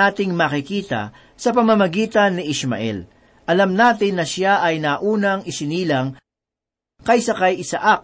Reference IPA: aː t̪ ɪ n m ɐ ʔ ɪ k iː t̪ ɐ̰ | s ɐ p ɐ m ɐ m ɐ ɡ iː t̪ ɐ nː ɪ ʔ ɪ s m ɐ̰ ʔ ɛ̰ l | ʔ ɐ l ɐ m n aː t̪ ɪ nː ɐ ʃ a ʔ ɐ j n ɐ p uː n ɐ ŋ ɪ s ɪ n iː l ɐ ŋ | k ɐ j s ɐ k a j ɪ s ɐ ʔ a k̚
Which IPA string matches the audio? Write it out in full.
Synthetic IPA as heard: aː t̪ ɪ ŋ m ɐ k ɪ k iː t̪ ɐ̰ | s ɐ p ɐ m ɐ m ɐ ɡ iː t̪ ɐ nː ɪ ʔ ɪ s m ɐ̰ ʔ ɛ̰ l | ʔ ɐ l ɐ m n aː t̪ ɪ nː ɐ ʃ a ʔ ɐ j n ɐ ʔ uː n ɐ ŋ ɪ s ɪ n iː l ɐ ŋ | k ɐ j s ɐ k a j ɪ s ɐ ʔ a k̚